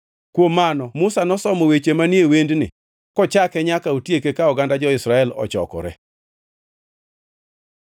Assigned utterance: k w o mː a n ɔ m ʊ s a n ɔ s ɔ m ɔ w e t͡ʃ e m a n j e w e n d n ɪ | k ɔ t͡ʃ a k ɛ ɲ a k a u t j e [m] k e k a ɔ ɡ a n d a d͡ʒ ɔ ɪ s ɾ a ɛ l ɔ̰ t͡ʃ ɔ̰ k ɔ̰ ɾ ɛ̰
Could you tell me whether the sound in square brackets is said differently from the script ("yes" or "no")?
yes